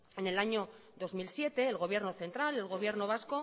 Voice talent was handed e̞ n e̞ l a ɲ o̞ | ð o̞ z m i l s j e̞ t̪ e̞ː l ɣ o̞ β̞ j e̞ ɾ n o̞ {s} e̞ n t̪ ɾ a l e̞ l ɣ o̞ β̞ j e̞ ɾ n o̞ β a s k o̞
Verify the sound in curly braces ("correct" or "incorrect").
incorrect